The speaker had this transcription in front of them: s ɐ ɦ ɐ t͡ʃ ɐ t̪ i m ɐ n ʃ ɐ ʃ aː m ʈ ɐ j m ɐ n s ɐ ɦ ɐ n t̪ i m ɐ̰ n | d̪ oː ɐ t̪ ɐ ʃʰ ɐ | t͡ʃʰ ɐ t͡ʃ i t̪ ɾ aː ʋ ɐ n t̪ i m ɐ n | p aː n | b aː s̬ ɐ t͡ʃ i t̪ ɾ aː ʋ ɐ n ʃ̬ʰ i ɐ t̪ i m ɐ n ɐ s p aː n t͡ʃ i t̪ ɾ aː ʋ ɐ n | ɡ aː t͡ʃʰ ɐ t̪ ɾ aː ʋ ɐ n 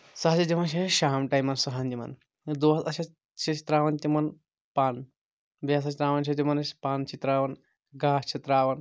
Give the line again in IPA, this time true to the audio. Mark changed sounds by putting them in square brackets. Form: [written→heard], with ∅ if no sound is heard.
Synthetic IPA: s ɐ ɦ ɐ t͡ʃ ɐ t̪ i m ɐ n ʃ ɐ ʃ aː m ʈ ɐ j m ɐ n s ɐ ɦ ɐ n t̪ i m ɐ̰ n | d̪ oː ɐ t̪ ɐ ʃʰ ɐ | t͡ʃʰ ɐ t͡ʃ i t̪ ɾ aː ʋ ɐ n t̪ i m ɐ n | p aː n | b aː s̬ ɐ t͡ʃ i t̪ ɾ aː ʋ ɐ n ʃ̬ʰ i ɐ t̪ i m ɐ n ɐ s p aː n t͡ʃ i t̪ ɾ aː ʋ ɐ n | ɡ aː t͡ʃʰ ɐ t̪ ɾ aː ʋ ɐ n